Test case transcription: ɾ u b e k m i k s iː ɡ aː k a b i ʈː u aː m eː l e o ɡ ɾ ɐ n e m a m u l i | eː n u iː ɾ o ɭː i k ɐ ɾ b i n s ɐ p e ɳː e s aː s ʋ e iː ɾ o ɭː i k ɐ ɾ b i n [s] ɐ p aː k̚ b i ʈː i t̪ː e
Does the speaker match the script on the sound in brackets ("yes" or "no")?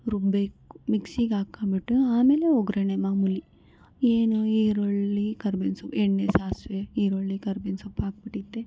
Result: yes